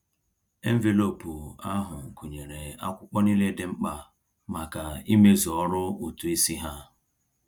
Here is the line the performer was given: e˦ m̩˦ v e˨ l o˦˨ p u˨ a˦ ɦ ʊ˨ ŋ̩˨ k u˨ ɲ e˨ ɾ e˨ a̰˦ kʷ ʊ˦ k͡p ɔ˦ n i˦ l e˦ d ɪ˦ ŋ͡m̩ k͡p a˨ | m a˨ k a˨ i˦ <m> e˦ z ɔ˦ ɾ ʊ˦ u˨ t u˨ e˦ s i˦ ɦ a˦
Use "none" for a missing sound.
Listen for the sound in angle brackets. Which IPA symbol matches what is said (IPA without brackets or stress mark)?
m